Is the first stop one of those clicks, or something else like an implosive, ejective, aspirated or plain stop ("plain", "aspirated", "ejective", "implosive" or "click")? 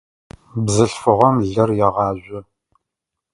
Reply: plain